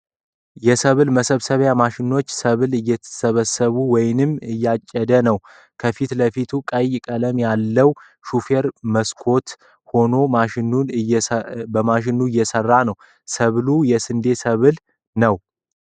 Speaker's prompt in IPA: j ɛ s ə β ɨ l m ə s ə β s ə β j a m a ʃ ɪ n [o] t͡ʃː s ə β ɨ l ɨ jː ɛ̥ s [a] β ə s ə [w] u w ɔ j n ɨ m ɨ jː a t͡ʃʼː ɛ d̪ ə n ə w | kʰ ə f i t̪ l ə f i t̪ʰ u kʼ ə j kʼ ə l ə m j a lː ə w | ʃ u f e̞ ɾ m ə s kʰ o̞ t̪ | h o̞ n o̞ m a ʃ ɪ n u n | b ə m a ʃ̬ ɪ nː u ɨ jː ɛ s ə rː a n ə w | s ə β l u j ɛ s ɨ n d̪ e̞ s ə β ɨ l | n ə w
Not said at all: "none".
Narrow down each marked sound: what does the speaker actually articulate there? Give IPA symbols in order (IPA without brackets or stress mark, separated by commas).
o, ə, β